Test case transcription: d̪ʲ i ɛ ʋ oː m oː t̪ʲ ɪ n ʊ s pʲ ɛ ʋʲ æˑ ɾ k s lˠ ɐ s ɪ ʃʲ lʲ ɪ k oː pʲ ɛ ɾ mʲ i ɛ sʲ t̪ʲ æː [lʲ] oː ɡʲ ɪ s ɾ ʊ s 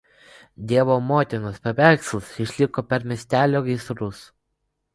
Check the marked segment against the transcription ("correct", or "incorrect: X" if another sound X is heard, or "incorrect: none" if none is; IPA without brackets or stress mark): correct